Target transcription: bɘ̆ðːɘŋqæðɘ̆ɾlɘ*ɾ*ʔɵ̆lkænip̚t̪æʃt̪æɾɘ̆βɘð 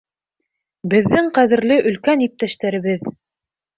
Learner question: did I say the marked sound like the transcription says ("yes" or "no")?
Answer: no